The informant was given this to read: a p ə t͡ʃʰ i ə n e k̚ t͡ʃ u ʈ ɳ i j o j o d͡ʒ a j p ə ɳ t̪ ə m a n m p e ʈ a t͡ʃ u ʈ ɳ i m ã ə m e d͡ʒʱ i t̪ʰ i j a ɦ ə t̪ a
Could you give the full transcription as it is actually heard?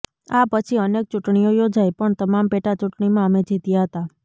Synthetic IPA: a p ə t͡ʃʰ i ə n e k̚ t͡ʃ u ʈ ɳ i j o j o d͡ʒ a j p ə ɳ t̪ ə m a m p e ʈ a t͡ʃ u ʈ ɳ i m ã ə m e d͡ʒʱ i t̪ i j a ɦ ə t̪ a